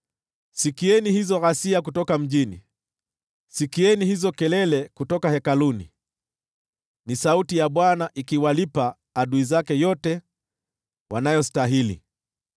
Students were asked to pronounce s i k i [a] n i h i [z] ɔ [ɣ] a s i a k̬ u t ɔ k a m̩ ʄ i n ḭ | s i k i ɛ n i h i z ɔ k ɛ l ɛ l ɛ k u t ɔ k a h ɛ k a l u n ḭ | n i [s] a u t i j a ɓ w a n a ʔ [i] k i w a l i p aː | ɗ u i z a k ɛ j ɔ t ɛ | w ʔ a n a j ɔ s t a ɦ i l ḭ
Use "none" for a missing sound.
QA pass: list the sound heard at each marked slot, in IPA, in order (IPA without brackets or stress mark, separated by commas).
ɛ, z, ɣ, s, i